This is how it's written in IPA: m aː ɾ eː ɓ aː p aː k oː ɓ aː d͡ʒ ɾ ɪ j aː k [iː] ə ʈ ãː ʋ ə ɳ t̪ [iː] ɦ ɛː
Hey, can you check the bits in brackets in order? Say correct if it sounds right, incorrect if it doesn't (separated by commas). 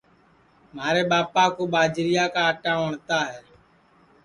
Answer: incorrect, incorrect